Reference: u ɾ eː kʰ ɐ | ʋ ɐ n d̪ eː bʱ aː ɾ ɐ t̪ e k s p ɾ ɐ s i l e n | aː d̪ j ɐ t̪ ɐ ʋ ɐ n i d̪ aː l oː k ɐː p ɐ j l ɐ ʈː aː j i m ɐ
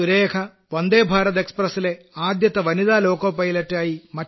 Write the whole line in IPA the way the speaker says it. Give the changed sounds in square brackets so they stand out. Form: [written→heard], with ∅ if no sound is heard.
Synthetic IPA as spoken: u ɾ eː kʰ ɐ | ʋ ɐ n d̪ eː bʱ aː ɾ ɐ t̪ e k s p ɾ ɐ s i l e [n→∅] | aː d̪ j ɐ t̪ ɐ ʋ ɐ n i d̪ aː l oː k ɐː p ɐ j l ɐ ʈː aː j i m ɐ